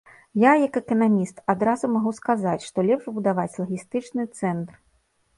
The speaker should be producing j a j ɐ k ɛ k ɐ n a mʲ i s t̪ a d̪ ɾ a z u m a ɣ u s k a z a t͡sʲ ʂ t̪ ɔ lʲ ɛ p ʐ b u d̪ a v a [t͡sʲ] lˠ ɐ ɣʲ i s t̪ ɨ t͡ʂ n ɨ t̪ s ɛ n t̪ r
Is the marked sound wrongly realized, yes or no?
no